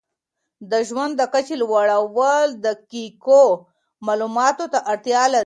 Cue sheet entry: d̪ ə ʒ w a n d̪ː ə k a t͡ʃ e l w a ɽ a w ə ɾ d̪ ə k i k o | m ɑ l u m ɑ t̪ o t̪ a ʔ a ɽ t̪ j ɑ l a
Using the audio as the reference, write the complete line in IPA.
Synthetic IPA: d̪ ə ʒ w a n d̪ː ə k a t͡ʃ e l w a ɽ a w ə l d̪ ə k i k o | m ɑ l u m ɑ t̪ o t̪ a ʔ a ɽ t̪ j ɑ l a